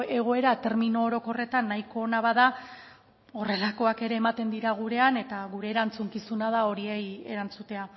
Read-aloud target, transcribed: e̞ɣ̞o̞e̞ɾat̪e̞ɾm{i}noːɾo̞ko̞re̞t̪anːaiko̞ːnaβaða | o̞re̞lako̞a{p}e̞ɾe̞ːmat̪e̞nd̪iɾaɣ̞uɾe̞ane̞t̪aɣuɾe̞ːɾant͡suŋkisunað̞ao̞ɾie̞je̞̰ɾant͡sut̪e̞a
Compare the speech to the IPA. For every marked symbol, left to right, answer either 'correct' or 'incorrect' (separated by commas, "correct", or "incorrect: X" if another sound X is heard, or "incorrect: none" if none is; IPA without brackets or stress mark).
correct, incorrect: k